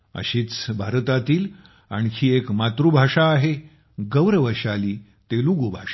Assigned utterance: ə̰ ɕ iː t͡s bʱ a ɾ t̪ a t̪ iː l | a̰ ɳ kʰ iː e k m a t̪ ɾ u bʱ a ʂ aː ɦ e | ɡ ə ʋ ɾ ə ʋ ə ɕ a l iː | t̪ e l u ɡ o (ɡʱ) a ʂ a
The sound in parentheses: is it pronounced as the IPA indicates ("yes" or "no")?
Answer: no